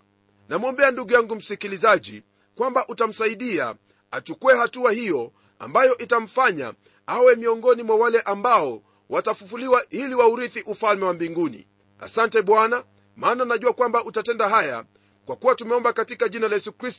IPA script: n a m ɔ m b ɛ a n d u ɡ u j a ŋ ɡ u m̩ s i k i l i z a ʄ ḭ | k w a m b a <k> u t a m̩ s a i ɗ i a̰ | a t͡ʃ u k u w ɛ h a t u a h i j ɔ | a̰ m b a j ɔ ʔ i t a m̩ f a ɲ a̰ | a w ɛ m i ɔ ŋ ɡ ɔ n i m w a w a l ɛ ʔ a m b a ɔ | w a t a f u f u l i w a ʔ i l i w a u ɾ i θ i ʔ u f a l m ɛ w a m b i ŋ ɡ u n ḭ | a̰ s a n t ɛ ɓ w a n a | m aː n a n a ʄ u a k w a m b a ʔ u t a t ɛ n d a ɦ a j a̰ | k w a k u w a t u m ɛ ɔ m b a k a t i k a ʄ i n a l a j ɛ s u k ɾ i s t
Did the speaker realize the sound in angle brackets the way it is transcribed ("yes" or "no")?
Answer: no